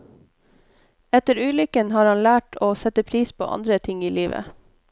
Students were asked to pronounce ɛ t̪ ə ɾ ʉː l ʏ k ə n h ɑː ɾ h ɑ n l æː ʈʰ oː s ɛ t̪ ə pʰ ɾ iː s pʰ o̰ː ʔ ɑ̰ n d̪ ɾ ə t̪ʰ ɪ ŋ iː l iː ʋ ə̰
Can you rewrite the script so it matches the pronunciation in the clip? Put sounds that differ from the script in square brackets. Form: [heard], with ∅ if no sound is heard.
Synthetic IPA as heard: ɛ t̪ ə ɾ ʉː l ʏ k ə n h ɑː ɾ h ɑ n l æː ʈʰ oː s ɛ t̪ ə pʰ ɾ iː s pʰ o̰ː ʔ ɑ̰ n d̪ ɾ ə t̪ʰ ɪ ŋ iː l iː ʋ ə̰